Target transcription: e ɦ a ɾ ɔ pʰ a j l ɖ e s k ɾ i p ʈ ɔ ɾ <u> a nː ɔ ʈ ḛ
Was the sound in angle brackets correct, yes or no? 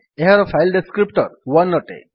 no